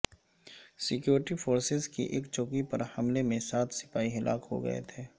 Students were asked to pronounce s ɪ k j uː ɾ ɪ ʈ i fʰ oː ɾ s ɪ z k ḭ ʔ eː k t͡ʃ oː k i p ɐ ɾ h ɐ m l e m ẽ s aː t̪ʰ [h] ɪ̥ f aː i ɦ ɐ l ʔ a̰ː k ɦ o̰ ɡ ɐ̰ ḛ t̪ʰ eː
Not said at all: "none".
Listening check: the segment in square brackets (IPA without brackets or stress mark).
s